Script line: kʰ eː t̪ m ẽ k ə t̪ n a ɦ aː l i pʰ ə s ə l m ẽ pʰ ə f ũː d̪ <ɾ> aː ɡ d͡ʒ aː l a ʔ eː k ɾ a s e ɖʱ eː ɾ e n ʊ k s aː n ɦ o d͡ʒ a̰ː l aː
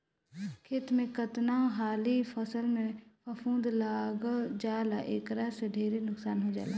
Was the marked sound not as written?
yes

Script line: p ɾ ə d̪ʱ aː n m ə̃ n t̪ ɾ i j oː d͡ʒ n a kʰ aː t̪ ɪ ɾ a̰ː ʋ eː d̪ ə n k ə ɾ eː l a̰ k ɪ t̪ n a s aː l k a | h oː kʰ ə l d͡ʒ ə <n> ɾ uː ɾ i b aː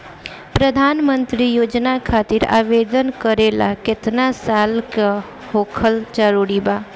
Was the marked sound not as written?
yes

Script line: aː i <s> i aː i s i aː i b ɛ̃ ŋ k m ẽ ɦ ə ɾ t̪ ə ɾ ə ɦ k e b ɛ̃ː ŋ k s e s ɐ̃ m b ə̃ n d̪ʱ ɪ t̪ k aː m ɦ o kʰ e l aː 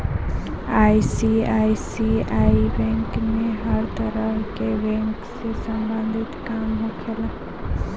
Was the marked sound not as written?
no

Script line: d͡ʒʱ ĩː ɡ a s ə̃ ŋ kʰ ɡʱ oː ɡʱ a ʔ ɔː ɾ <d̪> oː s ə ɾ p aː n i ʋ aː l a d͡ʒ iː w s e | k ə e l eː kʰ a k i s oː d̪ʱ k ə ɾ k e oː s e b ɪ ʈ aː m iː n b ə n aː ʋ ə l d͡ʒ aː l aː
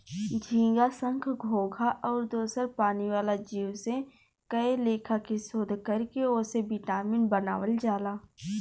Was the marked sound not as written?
no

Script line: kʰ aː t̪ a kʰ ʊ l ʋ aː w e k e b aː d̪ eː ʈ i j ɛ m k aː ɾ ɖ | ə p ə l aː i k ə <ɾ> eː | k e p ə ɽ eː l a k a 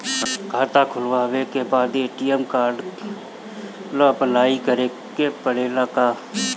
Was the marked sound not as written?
no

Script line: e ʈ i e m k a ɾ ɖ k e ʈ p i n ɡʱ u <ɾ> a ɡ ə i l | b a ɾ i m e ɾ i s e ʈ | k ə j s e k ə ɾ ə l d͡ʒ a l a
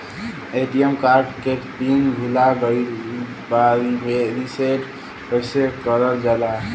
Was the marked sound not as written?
yes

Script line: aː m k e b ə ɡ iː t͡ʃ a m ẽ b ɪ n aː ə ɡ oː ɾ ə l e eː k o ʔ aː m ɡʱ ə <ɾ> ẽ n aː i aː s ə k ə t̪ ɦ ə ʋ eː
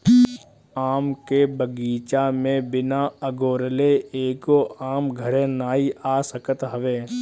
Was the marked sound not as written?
no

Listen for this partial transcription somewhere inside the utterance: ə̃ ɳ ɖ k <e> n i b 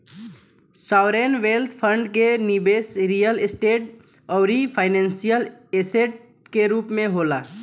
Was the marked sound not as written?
no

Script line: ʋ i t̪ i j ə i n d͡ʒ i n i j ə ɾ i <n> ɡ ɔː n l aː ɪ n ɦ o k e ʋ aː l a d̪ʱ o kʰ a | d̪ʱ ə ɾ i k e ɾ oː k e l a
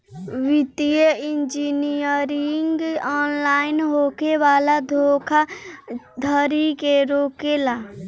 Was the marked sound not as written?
yes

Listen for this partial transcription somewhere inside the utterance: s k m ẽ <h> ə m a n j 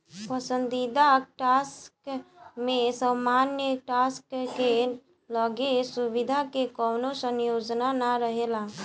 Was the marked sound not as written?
yes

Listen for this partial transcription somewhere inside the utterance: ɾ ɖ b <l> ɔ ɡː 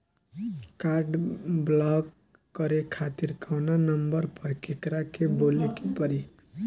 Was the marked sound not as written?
no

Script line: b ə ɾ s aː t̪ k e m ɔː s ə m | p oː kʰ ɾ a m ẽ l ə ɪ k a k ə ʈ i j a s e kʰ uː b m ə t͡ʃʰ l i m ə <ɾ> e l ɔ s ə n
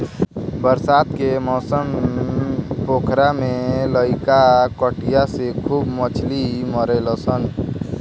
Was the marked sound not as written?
no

